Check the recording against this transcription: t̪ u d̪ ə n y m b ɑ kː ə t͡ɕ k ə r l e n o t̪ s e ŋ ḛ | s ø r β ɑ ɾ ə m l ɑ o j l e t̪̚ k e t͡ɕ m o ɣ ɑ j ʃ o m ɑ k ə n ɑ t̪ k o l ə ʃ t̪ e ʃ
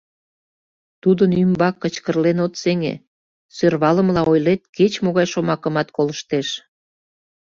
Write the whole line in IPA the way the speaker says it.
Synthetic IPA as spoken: t̪ u d̪ ə n y m b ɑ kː ə t͡ɕ k ə r l e n o t̪ s e ŋ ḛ | s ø r β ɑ l ə m l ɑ o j l e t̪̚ k e t͡ɕ m o ɣ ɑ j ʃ o m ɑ k ə m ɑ t̪ k o l ə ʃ t̪ e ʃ